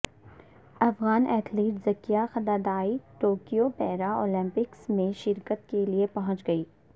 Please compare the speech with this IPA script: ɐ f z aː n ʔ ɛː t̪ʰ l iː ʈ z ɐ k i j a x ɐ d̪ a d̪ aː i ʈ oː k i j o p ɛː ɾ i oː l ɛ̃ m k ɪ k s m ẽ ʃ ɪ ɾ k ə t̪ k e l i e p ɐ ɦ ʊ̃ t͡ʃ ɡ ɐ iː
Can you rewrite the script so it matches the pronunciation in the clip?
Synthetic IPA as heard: ɐ f ɣ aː n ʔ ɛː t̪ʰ l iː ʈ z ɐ k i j a x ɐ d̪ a d̪ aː i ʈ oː k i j o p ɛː ɾ a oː l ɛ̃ m p ɪ k s m ẽ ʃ ɪ ɾ k ə t̪ k e l i e p ɐ ɦ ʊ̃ t͡ʃ ɡ ɐ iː